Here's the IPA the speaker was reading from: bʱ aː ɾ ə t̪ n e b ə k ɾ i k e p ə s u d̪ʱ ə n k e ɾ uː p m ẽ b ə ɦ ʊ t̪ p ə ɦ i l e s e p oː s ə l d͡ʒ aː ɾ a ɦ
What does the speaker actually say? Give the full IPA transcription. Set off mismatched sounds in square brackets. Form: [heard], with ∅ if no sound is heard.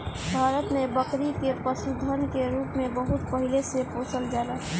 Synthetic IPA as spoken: bʱ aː ɾ ə t̪ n e b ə k ɾ i k e p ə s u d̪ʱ ə n k e ɾ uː p m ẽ b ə ɦ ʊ t̪ p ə ɦ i l e s e p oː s ə l d͡ʒ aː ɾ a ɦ